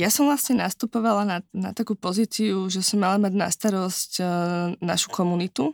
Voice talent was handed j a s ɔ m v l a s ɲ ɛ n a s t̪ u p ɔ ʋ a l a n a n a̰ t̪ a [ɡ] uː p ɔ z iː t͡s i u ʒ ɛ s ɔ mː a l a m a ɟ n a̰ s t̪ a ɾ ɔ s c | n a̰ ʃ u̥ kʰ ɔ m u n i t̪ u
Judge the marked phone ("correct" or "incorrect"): incorrect